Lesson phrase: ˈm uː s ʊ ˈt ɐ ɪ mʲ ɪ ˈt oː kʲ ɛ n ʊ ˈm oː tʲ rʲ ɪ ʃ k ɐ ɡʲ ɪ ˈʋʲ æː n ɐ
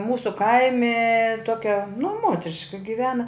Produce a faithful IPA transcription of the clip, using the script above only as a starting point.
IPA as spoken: ˈm uː s ʊ ˈk ɐ ɪ mʲ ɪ ˈt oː kʲ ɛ n ʊ ˈm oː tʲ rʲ ɪ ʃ k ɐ ɡʲ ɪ ˈʋʲ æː n ɐ